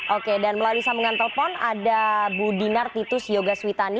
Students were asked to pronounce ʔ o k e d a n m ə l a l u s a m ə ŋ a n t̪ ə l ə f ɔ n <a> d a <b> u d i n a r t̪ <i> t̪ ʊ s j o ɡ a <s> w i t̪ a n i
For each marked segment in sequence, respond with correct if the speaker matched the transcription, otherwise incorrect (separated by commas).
correct, correct, correct, correct